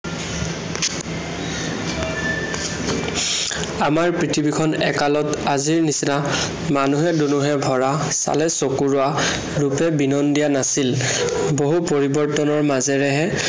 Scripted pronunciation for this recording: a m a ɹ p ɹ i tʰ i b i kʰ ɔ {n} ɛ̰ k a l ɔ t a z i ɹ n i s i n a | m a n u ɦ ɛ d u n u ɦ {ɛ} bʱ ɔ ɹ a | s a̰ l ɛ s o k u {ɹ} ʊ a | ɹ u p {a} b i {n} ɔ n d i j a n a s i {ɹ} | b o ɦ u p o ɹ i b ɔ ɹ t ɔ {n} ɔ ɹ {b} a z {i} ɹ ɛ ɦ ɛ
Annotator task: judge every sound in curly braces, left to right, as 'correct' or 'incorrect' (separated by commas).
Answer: correct, correct, correct, incorrect, correct, incorrect, correct, incorrect, incorrect